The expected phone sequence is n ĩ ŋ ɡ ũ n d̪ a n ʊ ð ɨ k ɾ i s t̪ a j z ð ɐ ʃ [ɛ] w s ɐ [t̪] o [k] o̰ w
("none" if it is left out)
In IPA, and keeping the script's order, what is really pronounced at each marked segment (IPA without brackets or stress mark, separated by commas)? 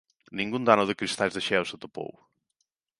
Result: ɛ, t̪, p